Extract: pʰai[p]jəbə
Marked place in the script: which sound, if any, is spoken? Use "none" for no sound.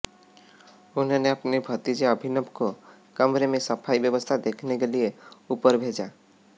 b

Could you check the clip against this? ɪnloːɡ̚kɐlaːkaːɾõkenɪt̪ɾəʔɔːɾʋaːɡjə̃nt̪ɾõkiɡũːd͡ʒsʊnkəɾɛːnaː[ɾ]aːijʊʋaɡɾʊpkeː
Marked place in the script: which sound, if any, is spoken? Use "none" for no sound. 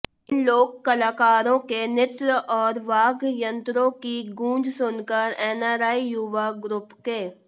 ɾ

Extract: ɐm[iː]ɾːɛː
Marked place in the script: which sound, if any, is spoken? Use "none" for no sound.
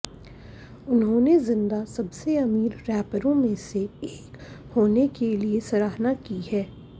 iː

